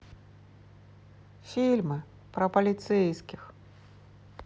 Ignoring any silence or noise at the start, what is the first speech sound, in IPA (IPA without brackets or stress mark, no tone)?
fʲ